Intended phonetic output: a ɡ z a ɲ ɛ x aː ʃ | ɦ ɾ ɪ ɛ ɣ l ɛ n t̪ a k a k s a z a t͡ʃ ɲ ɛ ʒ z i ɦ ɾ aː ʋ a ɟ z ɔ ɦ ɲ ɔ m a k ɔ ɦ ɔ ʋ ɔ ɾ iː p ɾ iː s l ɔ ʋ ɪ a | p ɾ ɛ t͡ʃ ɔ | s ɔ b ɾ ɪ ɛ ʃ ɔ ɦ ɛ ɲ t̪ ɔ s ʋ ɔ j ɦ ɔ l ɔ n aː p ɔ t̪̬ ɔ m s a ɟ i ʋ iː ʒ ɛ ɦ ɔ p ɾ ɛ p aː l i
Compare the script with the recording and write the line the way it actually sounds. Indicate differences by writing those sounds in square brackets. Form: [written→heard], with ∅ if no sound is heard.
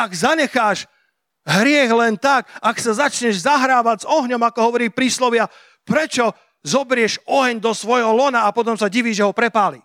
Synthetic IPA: a ɡ z a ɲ ɛ x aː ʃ | ɦ ɾ ɪ ɛ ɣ l ɛ n t̪ a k a k s a z a t͡ʃ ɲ ɛ ʒ z [i→a] ɦ ɾ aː ʋ a ɟ z ɔ ɦ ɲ ɔ m a k ɔ ɦ ɔ ʋ ɔ ɾ iː p ɾ iː s l ɔ ʋ ɪ a | p ɾ ɛ t͡ʃ ɔ | [s→z] ɔ b ɾ ɪ ɛ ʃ ɔ ɦ ɛ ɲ [t̪→d̪] ɔ s ʋ ɔ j ɦ ɔ l ɔ n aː p ɔ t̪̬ ɔ m s a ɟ i ʋ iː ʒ ɛ ɦ ɔ p ɾ ɛ p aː l i